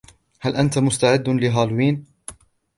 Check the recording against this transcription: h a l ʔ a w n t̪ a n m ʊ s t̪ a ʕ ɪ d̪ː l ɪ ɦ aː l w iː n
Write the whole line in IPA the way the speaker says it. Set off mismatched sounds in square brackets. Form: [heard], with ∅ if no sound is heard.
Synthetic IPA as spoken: h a l ʔ a [∅] n t̪ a [∅] m ʊ s t̪ a ʕ ɪ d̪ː l ɪ ɦ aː l w iː n